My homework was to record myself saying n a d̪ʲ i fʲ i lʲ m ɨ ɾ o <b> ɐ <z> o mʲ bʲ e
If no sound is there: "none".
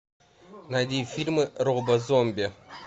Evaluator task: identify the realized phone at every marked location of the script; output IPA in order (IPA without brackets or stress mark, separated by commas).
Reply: b, z